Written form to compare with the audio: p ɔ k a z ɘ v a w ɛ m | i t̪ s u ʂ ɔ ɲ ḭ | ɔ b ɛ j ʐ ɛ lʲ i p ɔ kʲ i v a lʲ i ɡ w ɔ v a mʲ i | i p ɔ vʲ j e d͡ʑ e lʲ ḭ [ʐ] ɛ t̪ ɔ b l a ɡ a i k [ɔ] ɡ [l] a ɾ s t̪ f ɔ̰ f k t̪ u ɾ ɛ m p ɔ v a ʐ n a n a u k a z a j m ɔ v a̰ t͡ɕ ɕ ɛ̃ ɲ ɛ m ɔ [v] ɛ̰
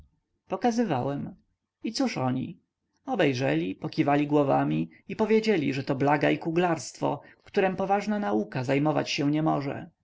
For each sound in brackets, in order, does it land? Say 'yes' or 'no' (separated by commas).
yes, no, yes, no